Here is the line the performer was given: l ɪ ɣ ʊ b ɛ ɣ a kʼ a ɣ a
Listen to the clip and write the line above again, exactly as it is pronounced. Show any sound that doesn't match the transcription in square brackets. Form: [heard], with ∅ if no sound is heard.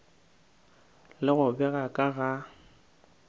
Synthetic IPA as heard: l ɪ ɣ ʊ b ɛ ɣ a kʼ a ɣ a